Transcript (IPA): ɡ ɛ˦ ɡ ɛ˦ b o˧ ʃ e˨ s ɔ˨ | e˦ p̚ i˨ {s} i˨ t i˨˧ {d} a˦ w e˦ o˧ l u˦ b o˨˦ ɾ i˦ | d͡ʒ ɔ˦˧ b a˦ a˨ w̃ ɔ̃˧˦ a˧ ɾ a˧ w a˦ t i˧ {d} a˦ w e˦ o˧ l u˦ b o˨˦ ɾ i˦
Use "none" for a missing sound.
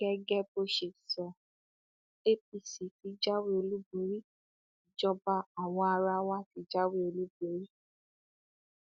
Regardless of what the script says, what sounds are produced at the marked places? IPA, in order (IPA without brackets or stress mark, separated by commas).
s, d͡ʒ, d͡ʒ